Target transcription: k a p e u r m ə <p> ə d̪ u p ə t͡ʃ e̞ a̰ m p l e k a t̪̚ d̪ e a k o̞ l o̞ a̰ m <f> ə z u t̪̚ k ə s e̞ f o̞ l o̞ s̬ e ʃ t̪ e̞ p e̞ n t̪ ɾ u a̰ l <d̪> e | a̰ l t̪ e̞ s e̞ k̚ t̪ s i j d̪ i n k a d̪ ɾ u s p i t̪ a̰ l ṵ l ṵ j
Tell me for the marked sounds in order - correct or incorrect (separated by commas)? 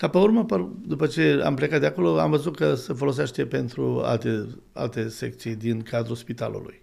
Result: correct, incorrect, incorrect